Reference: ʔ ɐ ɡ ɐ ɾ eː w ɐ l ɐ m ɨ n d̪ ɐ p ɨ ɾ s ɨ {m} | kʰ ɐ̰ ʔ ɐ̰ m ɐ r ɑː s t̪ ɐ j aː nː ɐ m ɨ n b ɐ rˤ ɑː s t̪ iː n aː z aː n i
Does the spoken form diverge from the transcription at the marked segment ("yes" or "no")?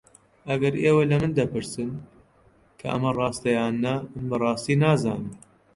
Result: yes